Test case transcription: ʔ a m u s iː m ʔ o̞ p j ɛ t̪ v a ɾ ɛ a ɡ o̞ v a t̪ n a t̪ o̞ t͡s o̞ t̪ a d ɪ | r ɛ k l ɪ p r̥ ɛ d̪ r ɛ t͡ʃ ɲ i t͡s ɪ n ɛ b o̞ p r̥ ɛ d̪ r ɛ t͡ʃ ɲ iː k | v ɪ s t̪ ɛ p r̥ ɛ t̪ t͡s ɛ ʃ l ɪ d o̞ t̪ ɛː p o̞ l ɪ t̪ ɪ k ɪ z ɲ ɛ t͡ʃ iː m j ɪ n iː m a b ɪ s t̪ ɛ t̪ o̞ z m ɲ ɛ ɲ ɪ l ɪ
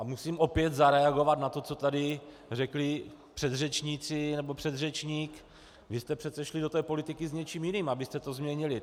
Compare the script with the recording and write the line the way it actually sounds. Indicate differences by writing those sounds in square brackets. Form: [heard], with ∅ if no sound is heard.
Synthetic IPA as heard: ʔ a m u s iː m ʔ o̞ p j ɛ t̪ [z] a ɾ ɛ a ɡ o̞ v a t̪ n a t̪ o̞ t͡s o̞ t̪ a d ɪ | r ɛ k l ɪ p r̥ ɛ d̪ r ɛ t͡ʃ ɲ i t͡s ɪ n ɛ b o̞ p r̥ ɛ d̪ r ɛ t͡ʃ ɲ iː k | v ɪ s t̪ ɛ p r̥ ɛ t̪ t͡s ɛ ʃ l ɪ d o̞ t̪ ɛː p o̞ l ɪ t̪ ɪ k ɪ z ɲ ɛ t͡ʃ iː m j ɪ n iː m a b ɪ s t̪ ɛ t̪ o̞ z m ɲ ɛ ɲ ɪ l ɪ

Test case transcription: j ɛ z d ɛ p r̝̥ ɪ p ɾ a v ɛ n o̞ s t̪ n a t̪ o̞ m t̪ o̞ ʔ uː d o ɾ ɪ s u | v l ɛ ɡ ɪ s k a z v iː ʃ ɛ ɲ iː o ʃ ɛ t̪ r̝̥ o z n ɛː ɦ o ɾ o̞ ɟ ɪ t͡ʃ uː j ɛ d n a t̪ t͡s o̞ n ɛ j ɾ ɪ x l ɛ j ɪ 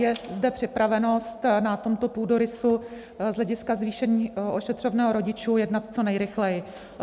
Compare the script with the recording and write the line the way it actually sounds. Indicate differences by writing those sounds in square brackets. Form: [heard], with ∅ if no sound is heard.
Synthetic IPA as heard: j ɛ z d ɛ p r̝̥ ɪ p ɾ a v ɛ n o̞ s t̪ n a t̪ o̞ m t̪ o̞ [p] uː d o ɾ ɪ s u | [z] l ɛ [ɟ] ɪ s k a z v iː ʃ ɛ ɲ iː o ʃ ɛ t̪ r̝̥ o [v] n ɛː ɦ o ɾ o̞ ɟ ɪ t͡ʃ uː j ɛ d n a t̪ t͡s o̞ n ɛ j ɾ ɪ x l ɛ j ɪ

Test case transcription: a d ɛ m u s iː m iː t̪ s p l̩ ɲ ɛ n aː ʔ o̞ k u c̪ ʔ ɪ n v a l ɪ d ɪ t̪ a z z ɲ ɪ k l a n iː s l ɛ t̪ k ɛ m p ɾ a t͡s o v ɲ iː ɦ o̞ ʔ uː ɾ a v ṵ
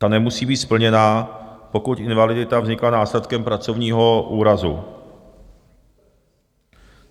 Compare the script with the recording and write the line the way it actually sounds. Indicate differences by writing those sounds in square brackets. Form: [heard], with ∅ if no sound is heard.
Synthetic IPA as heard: a [n] ɛ m u s iː [b] iː t̪ s p l̩ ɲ ɛ n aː [p] o̞ k u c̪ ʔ ɪ n v a l ɪ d ɪ t̪ a [v] z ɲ ɪ k l a n [aː] s l ɛ t̪ k ɛ m p ɾ a t͡s o v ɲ iː ɦ o̞ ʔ uː ɾ a [z] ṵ

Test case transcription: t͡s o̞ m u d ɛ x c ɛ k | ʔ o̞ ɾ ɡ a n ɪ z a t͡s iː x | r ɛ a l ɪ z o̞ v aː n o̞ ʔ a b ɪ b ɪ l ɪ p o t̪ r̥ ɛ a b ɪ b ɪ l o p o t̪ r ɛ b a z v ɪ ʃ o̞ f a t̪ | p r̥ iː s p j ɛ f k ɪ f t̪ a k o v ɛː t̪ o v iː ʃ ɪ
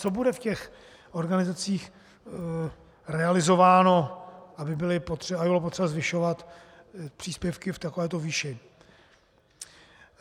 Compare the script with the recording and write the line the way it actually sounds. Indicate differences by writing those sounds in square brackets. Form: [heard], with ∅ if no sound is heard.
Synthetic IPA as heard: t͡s o̞ [b] u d ɛ [f] c ɛ [x] | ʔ o̞ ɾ ɡ a n ɪ z a t͡s iː x | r ɛ a l ɪ z o̞ v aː n o̞ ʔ a b ɪ b ɪ l ɪ p o t̪ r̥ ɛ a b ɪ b ɪ l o p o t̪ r ɛ b a z v ɪ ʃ o̞ [v] a t̪ | p r̥ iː s p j ɛ f k ɪ f t̪ a k o v ɛː t̪ o v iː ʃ ɪ

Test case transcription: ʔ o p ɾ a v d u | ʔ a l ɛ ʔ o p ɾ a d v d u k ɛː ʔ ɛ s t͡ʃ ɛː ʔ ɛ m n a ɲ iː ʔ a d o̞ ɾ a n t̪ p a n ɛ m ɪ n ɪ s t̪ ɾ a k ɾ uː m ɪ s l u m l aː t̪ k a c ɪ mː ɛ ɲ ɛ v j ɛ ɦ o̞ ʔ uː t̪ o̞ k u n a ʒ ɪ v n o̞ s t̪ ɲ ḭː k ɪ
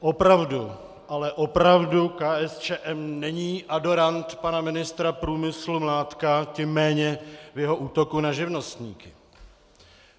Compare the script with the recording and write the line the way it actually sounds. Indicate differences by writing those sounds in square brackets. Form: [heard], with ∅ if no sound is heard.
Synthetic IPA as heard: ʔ o p ɾ a v d u | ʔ a l ɛ ʔ o p ɾ a [∅] v d u k [aː] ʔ ɛ s t͡ʃ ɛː ʔ ɛ m n [ɛ] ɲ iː ʔ a d o̞ ɾ a n t̪ p a n [a] m ɪ n ɪ s t̪ ɾ a [p] ɾ uː m ɪ s l u m l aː t̪ k a c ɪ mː [ɛː] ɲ ɛ v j ɛ ɦ o̞ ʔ uː t̪ o̞ k u n a ʒ ɪ v n o̞ s t̪ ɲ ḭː k ɪ

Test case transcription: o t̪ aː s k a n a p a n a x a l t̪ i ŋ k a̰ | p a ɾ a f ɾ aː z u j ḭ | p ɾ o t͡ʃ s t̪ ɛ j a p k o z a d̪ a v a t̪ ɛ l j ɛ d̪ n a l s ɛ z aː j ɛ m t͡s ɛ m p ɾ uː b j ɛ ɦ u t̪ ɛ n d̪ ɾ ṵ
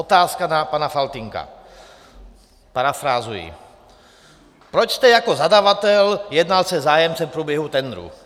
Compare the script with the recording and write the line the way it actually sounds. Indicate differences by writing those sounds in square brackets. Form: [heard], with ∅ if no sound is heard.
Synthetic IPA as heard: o t̪ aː s k a n a p a n a [f] a l t̪ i ŋ k a̰ | p a ɾ a f ɾ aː z u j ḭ | p ɾ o t͡ʃ s t̪ ɛ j a [∅] k o z a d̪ a v a t̪ ɛ l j ɛ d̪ n a l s ɛ z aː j ɛ m t͡s ɛ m p ɾ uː b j ɛ ɦ u t̪ ɛ n d̪ ɾ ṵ

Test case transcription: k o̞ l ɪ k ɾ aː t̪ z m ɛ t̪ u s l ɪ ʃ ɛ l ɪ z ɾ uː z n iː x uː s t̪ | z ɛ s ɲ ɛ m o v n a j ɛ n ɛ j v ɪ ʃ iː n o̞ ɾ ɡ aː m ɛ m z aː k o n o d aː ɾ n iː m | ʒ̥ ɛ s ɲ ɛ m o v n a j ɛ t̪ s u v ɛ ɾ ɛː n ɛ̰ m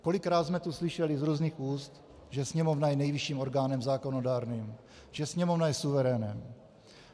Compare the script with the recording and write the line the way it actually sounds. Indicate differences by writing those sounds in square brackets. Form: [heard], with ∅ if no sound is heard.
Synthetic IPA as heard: k o̞ l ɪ k ɾ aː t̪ z m ɛ t̪ u s l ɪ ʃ ɛ l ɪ z ɾ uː z n iː x uː s t̪ | [ʒ] ɛ s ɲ ɛ m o v n a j ɛ n ɛ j v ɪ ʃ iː [m] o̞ ɾ ɡ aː [n] ɛ m z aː k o n o d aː ɾ n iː m | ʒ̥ ɛ s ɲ ɛ m o v n a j ɛ [∅] s u v ɛ ɾ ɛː n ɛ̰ m

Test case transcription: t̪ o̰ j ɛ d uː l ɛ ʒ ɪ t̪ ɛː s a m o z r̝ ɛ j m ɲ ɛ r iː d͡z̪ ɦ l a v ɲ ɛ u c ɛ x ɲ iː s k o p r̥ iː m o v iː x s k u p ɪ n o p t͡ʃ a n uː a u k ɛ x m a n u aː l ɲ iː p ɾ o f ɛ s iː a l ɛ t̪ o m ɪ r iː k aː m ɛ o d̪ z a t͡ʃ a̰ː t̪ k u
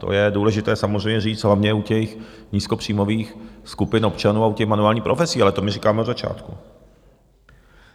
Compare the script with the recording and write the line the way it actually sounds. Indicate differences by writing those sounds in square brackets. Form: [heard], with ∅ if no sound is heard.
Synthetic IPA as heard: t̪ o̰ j ɛ d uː l ɛ ʒ ɪ t̪ ɛː s a m o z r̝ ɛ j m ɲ ɛ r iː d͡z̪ ɦ l a v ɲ ɛ u c ɛ x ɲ iː s k o p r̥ iː m o v iː x s k u p ɪ n o p t͡ʃ a n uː a u [c] ɛ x m a n u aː l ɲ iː p ɾ o f ɛ s iː a l ɛ t̪ o m ɪ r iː k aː m ɛ o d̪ z a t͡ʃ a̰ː t̪ k u

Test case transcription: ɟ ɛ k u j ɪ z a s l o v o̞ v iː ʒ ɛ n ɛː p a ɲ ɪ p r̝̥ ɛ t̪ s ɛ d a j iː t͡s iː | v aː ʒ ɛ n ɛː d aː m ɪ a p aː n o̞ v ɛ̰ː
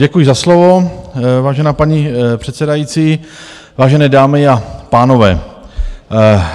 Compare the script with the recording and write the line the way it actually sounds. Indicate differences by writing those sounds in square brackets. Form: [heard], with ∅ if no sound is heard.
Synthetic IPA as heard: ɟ ɛ k u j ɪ z a s l o v o̞ v [aː] ʒ ɛ n [aː] p a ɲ [i] p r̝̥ ɛ t̪ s ɛ d a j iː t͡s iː | v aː ʒ ɛ n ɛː d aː m ɪ a p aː n o̞ v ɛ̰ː

